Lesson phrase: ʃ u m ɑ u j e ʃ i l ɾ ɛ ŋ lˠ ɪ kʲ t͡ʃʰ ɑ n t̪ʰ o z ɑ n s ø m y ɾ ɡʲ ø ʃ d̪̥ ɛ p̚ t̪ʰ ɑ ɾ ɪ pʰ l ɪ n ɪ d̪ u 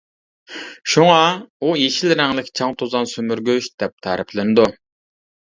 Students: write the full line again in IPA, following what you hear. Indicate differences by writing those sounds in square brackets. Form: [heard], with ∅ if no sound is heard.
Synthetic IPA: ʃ u [ŋ] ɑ u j e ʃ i l ɾ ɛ ŋ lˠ ɪ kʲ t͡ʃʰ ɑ [ŋ] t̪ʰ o z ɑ n s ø m y ɾ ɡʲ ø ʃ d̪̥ ɛ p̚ t̪ʰ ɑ ɾ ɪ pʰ l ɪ n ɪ d̪ u